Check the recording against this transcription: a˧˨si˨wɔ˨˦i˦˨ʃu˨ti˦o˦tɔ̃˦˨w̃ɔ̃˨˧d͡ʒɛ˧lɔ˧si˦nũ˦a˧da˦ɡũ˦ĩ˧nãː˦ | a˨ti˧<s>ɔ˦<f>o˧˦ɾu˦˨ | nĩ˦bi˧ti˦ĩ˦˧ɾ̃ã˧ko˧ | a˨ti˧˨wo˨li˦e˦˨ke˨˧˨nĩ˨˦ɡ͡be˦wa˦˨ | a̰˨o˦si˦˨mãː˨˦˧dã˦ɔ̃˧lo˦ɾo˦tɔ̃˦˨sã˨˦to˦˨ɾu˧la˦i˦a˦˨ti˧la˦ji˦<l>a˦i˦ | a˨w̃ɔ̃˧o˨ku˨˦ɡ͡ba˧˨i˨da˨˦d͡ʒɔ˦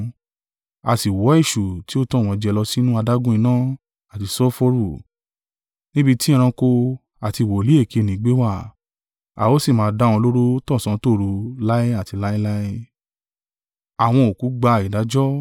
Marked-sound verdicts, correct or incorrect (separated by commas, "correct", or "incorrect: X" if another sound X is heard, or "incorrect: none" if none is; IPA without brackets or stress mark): correct, correct, correct